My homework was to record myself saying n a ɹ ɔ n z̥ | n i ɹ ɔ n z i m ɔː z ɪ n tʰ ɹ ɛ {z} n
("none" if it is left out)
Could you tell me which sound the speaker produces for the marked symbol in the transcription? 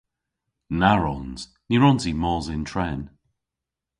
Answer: none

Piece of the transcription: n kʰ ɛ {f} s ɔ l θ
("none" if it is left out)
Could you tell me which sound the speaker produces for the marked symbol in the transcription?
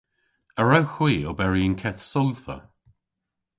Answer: θ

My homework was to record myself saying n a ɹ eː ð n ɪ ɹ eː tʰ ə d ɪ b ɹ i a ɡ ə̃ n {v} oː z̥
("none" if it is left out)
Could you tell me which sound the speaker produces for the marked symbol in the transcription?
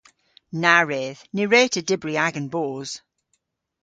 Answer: b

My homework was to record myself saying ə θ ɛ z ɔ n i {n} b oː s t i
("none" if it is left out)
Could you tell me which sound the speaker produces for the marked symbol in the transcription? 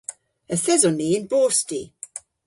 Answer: n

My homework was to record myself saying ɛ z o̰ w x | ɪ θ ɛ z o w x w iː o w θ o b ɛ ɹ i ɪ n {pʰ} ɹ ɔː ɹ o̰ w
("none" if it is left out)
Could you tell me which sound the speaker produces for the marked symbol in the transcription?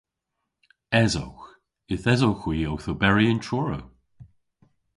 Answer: tʰ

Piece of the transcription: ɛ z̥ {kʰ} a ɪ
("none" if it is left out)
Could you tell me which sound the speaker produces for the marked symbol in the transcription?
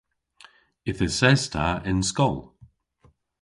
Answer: tʰ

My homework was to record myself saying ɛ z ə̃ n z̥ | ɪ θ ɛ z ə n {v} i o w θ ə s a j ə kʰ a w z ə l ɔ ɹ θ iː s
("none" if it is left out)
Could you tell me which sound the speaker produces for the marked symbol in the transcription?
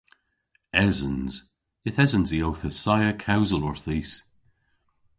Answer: z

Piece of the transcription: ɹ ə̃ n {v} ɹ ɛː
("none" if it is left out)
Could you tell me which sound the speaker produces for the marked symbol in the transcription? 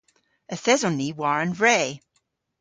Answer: v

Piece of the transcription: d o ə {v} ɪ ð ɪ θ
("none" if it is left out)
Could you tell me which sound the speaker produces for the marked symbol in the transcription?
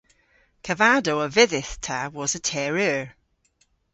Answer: v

